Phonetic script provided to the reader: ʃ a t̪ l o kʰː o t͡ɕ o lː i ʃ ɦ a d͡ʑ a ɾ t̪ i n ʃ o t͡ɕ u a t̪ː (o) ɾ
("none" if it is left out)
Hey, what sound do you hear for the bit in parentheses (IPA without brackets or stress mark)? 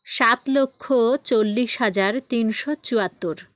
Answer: o